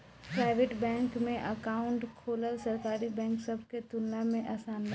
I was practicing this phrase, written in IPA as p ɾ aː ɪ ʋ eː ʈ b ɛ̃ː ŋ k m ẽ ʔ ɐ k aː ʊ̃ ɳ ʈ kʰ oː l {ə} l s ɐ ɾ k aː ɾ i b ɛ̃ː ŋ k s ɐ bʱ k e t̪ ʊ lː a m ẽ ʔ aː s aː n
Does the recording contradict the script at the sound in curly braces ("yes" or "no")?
no